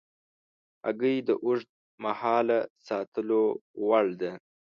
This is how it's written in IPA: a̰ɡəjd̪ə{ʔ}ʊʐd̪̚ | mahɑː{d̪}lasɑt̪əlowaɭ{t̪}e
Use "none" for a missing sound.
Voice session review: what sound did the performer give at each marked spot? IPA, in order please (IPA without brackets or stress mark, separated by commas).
ʔ, none, d̪